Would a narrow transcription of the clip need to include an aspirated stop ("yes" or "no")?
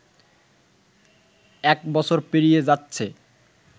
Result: yes